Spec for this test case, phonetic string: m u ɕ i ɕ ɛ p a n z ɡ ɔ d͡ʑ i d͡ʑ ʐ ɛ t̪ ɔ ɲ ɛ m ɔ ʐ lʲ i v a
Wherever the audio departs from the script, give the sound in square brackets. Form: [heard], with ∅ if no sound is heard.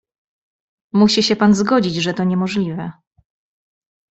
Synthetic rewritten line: m u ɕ i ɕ ɛ p a n z ɡ ɔ d͡ʑ i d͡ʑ ʐ ɛ t̪ ɔ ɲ ɛ m ɔ ʐ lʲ i v [ɛ]